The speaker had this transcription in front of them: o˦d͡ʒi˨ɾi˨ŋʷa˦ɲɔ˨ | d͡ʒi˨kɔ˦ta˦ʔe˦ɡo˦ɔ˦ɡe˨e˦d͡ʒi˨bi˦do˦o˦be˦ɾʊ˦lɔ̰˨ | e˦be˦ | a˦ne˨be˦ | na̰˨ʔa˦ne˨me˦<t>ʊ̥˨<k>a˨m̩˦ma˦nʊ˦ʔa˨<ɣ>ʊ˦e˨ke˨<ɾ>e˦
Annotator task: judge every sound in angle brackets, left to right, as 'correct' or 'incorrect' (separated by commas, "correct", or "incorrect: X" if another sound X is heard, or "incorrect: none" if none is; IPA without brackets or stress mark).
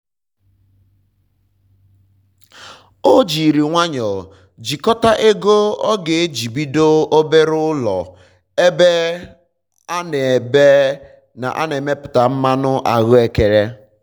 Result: incorrect: p, incorrect: t, correct, correct